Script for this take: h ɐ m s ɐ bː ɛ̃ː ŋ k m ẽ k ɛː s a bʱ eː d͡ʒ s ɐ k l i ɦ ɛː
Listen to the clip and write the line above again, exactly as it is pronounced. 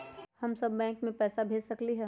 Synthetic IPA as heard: h ɐ m s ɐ bː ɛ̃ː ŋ k m ẽ p ɛː s a bʱ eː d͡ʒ s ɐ k l i ɦ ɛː